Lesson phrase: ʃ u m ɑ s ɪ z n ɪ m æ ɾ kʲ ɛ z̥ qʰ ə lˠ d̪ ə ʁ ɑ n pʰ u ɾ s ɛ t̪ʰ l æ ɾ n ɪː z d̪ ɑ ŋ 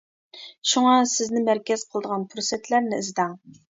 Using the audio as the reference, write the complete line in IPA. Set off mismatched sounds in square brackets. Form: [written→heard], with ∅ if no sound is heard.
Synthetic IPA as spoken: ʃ u [m→ŋ] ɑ s ɪ z n ɪ m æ ɾ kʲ ɛ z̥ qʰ ə lˠ d̪ ə ʁ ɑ n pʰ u ɾ s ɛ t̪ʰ l æ ɾ n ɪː z d̪ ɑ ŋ

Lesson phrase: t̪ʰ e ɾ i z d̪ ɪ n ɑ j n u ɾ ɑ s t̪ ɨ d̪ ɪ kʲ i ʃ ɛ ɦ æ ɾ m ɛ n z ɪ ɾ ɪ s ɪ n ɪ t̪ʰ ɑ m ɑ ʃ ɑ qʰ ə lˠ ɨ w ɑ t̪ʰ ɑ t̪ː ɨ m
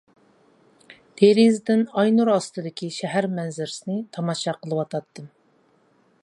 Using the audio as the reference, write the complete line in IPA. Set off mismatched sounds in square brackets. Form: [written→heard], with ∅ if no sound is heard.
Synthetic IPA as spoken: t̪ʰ e ɾ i z d̪ ɪ n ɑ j n u ɾ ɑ s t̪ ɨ d̪ ɪ kʲ i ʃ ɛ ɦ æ ɾ m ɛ n z ɪ ɾ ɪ s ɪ n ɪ t̪ʰ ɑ m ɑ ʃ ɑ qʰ ə lˠ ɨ w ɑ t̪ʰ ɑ t̪ː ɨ m

